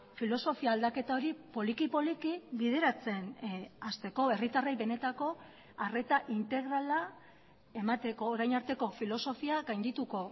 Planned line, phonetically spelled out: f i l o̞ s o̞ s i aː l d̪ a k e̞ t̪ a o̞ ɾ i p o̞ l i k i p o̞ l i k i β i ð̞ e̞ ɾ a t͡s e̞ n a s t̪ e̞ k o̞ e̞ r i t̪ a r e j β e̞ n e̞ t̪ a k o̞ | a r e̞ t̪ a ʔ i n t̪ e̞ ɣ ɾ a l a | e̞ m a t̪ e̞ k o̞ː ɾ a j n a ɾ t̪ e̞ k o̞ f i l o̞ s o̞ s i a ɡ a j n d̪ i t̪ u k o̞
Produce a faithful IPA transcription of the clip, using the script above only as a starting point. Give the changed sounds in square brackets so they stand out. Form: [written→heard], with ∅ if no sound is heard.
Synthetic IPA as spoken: f i l o̞ s o̞ [s→f] i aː l d̪ a k e̞ t̪ a o̞ ɾ i p o̞ l i k i p o̞ l i k i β i ð̞ e̞ ɾ a t͡s e̞ n a s t̪ e̞ k o̞ e̞ r i t̪ a r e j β e̞ n e̞ t̪ a k o̞ | a r e̞ t̪ a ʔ i n t̪ e̞ ɣ ɾ a l a | e̞ m a t̪ e̞ k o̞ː ɾ a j n a ɾ t̪ e̞ k o̞ f i l o̞ s o̞ [s→f] i a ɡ a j n d̪ i t̪ u k o̞